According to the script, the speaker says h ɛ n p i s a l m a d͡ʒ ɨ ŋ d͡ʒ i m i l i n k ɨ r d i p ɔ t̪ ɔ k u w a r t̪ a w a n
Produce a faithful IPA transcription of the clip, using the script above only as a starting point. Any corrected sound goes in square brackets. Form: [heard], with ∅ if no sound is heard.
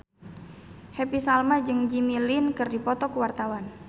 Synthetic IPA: h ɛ [∅] p i s a l m a d͡ʒ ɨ ŋ d͡ʒ i m i l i n k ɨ r d i p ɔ t̪ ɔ k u w a r t̪ a w a n

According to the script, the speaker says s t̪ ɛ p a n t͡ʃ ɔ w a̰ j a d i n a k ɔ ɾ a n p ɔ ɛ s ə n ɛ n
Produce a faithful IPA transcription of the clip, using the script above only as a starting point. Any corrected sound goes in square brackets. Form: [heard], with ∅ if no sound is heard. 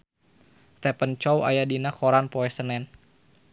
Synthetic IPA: s t̪ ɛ p [ə] n t͡ʃ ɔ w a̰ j a d i n a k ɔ ɾ a n p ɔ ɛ s ə n ɛ n

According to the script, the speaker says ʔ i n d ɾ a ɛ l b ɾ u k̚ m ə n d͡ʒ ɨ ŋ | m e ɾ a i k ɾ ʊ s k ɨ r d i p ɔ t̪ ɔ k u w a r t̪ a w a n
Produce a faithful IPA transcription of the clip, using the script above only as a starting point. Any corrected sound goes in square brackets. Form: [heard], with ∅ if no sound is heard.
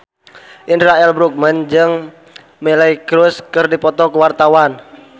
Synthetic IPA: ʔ i n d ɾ a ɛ l b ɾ u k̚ m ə n d͡ʒ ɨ ŋ | m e [l] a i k ɾ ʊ s k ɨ r d i p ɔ t̪ ɔ k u w a r t̪ a w a n

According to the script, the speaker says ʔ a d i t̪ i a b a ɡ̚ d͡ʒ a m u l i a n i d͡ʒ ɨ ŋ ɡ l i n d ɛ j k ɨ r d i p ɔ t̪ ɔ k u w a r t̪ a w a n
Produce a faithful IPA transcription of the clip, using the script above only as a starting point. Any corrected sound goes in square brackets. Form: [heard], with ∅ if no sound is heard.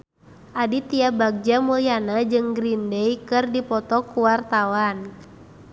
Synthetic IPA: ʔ a d i t̪ i a b a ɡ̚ d͡ʒ a m u l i a n [a] d͡ʒ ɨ ŋ ɡ [ɾ] i n d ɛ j k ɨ r d i p ɔ t̪ ɔ k u w a r t̪ a w a n

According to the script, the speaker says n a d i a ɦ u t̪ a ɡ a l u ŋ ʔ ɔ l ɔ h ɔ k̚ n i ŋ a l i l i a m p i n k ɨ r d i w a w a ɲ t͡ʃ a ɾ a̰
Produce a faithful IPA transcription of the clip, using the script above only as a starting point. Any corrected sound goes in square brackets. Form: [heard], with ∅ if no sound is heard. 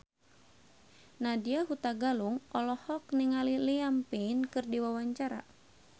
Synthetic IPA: n a d i a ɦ u t̪ a ɡ a l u ŋ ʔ ɔ l ɔ h ɔ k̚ n i ŋ a l i l i a m p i n k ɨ r d i w a w a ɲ t͡ʃ a ɾ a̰

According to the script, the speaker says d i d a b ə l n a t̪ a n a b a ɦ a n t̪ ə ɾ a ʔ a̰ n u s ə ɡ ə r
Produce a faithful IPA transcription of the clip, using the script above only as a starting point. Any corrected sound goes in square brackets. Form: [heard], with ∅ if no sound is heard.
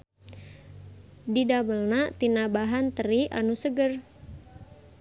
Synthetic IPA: d i d a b ə l n a t̪ [i] n a b a ɦ a n t̪ ə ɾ [i] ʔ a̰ n u s ə ɡ ə r

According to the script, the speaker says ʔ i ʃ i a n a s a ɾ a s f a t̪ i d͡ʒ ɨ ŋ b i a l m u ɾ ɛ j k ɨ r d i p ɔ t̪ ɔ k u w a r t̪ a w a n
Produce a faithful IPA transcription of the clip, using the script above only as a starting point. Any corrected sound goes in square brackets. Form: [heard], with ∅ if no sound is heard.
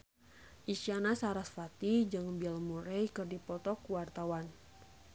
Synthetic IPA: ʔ i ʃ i a n a s a ɾ a s f a t̪ i d͡ʒ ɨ ŋ b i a l m u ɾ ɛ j k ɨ r d i p ɔ t̪ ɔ k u w a r t̪ a w a n

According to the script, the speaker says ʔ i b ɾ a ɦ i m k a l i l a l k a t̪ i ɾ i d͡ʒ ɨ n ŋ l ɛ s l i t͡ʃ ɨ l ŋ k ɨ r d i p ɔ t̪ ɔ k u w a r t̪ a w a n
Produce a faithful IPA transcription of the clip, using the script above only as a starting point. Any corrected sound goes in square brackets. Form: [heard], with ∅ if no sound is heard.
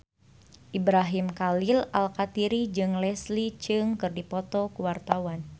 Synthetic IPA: ʔ i b ɾ a ɦ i m k a l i l a l k a t̪ i ɾ i d͡ʒ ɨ [∅] ŋ l ɛ s l i t͡ʃ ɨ [∅] ŋ k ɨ r d i p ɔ t̪ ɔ k u w a r t̪ a w a n

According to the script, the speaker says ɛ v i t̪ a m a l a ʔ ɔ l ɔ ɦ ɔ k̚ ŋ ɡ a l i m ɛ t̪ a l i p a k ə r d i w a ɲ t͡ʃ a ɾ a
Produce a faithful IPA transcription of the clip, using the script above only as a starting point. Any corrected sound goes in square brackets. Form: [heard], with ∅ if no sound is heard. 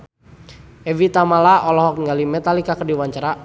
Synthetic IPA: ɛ v i t̪ a m a l a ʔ ɔ l ɔ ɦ ɔ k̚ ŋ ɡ a l i m ɛ t̪ a l i [k] a k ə r d i w a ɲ t͡ʃ a ɾ a

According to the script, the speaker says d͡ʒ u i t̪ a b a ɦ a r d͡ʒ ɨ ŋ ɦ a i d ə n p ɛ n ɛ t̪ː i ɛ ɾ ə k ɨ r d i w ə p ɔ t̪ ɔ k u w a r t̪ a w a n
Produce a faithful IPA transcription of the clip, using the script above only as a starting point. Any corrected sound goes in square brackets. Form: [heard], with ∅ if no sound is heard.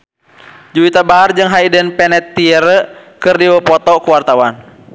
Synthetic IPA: d͡ʒ u i t̪ a b a ɦ a r d͡ʒ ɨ ŋ ɦ a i d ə n p ɛ n ɛ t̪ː i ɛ ɾ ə k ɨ r d i w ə p ɔ t̪ ɔ k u w a r t̪ a w a n

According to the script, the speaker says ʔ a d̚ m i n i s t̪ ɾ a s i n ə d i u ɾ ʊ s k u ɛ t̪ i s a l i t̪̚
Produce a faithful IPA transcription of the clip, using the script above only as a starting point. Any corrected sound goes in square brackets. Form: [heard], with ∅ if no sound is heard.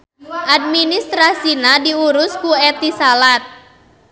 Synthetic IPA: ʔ a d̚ m i n i s t̪ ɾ a s i n [a] d i u ɾ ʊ s k u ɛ t̪ i s a l [a] t̪̚

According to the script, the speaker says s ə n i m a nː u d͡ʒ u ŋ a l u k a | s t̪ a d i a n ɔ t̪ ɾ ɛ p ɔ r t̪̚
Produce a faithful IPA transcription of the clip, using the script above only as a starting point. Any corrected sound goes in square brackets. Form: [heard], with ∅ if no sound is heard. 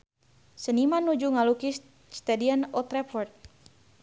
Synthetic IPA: s ə n i m a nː u d͡ʒ u ŋ a l u k [i] | s t̪ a d i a n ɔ t̪ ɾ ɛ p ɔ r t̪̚

